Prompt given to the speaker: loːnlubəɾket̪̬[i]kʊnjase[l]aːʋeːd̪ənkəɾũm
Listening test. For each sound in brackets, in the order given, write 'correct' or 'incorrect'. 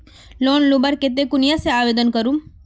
incorrect: e, incorrect: none

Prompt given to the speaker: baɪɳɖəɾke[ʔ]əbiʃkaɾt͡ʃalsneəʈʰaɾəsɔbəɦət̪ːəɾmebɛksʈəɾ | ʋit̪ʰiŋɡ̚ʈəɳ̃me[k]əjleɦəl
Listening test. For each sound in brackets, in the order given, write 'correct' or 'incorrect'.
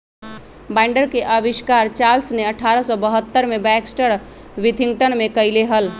correct, correct

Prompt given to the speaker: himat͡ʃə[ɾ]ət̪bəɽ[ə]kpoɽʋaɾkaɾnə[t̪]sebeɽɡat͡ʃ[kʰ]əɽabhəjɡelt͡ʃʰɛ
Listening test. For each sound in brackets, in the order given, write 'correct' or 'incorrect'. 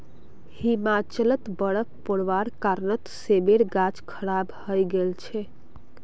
incorrect: l, correct, correct, correct

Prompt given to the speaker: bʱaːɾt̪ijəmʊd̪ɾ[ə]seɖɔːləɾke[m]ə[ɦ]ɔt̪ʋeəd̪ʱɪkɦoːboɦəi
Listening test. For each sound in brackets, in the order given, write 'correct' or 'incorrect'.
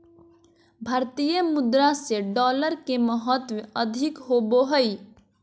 incorrect: a, correct, correct

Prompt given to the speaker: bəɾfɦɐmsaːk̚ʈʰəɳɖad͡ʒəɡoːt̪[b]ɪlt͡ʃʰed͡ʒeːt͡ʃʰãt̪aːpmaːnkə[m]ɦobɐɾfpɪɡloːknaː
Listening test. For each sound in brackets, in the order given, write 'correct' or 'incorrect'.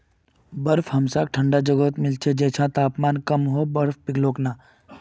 incorrect: m, correct

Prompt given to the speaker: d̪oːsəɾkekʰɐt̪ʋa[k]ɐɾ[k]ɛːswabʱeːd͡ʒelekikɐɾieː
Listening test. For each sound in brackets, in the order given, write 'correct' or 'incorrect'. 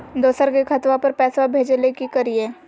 incorrect: p, incorrect: p

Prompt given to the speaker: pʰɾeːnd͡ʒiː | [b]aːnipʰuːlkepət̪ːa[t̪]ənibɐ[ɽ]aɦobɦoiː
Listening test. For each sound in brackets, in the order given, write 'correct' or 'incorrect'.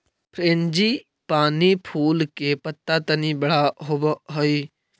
incorrect: p, correct, correct

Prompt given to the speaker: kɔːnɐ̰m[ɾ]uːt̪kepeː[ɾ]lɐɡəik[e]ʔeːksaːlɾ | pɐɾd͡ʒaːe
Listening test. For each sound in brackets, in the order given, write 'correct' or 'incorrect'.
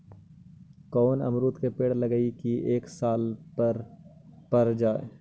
correct, incorrect: ɽ, incorrect: i

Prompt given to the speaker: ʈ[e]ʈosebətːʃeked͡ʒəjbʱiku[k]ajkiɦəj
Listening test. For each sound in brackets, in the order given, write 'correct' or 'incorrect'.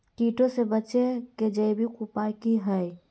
incorrect: i, incorrect: p

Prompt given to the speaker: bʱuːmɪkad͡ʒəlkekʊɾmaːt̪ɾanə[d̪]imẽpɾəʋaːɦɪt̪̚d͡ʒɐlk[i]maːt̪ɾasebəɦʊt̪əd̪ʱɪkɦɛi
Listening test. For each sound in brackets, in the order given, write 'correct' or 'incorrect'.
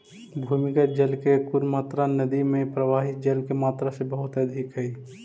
correct, incorrect: e

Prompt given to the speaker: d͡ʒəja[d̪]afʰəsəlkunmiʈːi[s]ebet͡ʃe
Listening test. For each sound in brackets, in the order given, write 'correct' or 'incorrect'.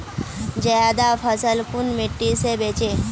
correct, correct

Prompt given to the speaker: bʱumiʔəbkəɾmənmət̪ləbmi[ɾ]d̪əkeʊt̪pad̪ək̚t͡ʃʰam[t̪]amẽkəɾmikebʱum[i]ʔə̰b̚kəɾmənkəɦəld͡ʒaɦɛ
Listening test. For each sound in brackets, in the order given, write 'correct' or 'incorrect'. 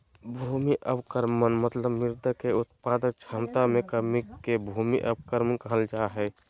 correct, correct, correct

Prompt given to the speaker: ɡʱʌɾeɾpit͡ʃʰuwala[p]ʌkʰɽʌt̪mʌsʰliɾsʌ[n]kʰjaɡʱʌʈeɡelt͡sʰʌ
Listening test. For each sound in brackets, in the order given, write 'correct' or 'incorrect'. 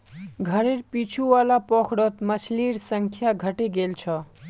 correct, incorrect: ŋ

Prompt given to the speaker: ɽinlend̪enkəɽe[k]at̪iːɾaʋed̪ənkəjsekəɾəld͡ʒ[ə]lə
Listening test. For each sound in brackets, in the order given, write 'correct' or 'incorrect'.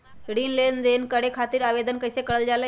incorrect: kʰ, incorrect: a

